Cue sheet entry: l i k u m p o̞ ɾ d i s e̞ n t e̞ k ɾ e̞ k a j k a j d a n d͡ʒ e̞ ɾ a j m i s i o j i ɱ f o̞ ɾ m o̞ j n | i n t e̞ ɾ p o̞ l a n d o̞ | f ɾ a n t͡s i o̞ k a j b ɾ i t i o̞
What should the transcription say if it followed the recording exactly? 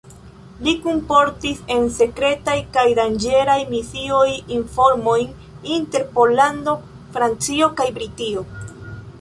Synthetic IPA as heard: l i k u m p o̞ ɾ t i s e̞ n s e̞ k ɾ e̞ t a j k a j d a n d͡ʒ e̞ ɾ a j m i s i o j i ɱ f o̞ ɾ m o̞ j n | i n t e̞ ɾ p o̞ l a n d o̞ | f ɾ a n t͡s i o̞ k a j b ɾ i t i o̞